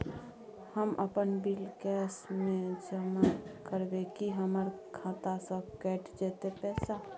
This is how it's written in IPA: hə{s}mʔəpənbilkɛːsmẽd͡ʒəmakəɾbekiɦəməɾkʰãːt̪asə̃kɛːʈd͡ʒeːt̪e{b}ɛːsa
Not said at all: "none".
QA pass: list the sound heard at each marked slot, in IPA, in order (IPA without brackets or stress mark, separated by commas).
none, p